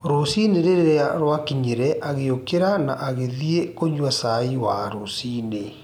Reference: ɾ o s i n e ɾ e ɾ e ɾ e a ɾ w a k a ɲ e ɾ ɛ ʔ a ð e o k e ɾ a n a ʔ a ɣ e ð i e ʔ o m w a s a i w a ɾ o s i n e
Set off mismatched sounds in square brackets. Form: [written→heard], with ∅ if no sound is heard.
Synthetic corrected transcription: ɾ o s i n e ɾ e ɾ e ɾ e a ɾ w a k [a→i] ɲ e ɾ ɛ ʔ a [ð→ɣ] e o k e ɾ a n a ʔ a ɣ e ð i e [ʔ→k] o [m→ɲ] w a s a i w a ɾ o s i n e